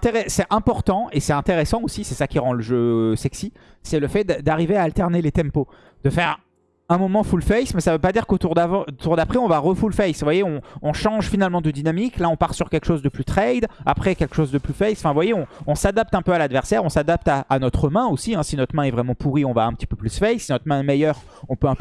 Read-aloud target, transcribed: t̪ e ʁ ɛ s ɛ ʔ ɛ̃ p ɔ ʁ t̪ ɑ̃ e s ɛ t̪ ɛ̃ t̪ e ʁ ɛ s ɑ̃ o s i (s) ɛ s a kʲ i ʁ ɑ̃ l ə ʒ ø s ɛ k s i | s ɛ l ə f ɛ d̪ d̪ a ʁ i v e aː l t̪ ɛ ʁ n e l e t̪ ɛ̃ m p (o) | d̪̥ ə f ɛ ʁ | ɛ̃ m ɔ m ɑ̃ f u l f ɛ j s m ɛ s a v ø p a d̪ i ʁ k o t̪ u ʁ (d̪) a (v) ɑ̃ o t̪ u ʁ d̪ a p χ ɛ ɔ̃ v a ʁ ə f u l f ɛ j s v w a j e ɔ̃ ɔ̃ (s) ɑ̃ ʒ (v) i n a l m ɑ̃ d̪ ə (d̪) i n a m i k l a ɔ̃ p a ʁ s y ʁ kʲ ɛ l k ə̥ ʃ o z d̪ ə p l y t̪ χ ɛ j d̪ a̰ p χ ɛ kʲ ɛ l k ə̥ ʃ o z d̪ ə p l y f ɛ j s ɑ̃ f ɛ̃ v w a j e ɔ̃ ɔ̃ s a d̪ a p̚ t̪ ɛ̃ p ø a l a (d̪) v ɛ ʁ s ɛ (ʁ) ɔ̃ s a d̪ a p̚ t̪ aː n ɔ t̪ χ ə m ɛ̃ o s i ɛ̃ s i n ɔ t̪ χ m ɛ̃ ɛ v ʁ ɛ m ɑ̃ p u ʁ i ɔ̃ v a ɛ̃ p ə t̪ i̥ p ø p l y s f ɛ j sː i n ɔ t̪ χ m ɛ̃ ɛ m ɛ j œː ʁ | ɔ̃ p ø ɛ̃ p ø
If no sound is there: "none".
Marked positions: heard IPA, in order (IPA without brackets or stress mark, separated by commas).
s, o, d̪, v, ʃ, f, d̪, d̪, ʁ